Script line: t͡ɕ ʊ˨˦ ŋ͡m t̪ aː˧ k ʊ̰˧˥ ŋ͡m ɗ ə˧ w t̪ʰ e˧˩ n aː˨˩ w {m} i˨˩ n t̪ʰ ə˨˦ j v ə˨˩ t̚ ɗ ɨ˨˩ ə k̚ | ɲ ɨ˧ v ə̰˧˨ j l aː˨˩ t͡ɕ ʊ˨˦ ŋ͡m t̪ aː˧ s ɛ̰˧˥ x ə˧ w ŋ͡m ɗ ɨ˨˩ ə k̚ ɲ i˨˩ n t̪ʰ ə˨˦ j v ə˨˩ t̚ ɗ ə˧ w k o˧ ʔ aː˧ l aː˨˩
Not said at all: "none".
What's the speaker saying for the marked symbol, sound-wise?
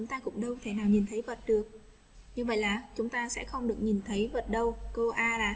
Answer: ɲ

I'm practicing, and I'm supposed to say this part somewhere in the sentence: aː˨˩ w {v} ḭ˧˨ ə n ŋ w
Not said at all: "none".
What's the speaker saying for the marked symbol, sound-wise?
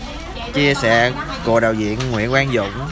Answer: z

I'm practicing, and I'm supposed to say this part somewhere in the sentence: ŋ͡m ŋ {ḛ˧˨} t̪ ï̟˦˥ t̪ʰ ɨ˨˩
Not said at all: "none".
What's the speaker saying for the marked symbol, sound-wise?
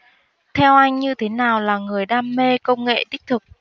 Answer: ḛ˧˨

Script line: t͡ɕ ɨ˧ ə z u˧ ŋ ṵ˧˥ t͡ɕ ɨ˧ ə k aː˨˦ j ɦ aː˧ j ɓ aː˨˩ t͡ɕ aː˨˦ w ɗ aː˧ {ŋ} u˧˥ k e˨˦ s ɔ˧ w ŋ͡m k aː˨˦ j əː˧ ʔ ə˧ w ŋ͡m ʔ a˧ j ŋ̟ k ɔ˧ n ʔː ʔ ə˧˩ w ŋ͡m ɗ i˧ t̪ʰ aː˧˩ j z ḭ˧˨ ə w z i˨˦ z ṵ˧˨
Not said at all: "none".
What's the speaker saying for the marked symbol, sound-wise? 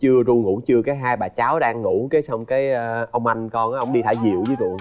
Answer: ŋː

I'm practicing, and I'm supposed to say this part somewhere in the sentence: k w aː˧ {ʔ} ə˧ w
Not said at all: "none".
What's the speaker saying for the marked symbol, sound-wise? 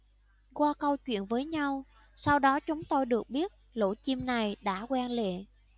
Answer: k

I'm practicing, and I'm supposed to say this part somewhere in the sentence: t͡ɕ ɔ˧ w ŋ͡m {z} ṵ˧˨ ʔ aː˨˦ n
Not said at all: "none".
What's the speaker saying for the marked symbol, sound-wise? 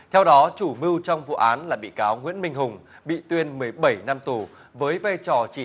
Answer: v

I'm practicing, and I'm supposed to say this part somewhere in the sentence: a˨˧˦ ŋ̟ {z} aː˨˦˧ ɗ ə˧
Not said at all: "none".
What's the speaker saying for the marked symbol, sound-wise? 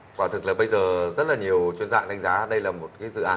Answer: z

